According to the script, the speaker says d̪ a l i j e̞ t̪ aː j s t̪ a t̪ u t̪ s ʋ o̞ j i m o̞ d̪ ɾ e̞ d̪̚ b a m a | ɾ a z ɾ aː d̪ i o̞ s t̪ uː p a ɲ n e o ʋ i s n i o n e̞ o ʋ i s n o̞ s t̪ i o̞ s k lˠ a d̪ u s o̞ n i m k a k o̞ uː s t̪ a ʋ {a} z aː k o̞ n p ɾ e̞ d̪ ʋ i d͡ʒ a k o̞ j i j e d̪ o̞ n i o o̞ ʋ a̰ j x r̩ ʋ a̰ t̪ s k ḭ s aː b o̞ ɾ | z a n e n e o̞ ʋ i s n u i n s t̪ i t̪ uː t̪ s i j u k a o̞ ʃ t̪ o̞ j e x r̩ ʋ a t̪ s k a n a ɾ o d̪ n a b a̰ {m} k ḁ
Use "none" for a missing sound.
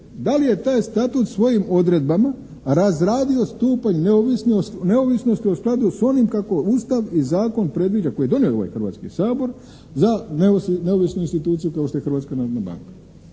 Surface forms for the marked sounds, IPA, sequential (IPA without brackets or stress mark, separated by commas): i, ŋ